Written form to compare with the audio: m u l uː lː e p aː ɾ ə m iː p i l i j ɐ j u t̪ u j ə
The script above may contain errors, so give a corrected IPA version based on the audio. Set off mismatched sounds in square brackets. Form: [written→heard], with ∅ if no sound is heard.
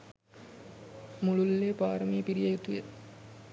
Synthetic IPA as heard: m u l [uː→u] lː e p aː ɾ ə m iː p i [l→ɾ] i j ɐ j u t̪ u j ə